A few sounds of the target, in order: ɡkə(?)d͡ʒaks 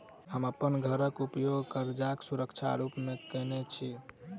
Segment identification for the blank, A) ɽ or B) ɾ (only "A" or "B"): B